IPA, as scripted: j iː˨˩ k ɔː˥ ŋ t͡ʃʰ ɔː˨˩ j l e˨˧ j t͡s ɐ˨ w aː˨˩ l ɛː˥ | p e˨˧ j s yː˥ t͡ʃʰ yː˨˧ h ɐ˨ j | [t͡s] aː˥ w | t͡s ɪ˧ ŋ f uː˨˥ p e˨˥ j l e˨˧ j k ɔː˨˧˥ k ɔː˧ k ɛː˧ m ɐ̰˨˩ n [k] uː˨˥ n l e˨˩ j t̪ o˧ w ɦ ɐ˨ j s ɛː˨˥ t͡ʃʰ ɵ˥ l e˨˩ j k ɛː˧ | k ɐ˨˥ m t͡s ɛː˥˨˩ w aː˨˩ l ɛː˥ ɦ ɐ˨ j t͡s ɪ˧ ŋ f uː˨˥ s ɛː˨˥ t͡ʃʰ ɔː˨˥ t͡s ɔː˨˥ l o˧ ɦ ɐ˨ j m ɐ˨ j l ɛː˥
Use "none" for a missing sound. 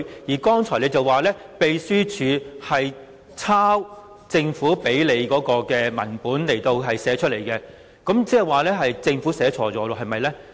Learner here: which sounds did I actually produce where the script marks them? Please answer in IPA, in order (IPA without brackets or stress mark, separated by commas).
t͡sʰ, p